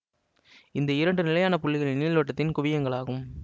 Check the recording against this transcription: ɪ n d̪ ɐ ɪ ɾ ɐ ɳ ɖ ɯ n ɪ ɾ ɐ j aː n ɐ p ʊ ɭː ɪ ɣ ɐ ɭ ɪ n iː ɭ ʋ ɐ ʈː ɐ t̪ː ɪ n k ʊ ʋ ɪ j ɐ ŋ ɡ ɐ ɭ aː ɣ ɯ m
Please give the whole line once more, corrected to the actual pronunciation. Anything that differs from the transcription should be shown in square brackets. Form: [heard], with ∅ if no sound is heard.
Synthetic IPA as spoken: ɪ n d̪ ɐ ɪ ɾ ɐ ɳ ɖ ɯ n ɪ [l] ɐ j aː n ɐ p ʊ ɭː ɪ ɣ ɐ ɭ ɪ n iː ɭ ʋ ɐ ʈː ɐ t̪ː ɪ n k ʊ ʋ ɪ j ɐ ŋ ɡ ɐ ɭ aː ɣ ɯ m